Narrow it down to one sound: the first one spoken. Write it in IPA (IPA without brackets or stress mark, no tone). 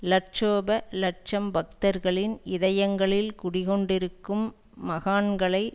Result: l